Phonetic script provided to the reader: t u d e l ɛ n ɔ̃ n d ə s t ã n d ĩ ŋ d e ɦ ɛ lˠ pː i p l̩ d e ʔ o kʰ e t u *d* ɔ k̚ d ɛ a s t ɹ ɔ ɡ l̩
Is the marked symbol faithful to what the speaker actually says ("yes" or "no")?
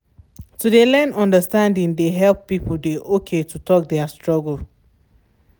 no